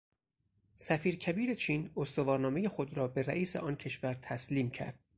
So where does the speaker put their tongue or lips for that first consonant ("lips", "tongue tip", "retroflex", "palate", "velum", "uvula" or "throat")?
tongue tip